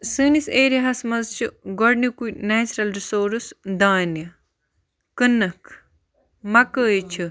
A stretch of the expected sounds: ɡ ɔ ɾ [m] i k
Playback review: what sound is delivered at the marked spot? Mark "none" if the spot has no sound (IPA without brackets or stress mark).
n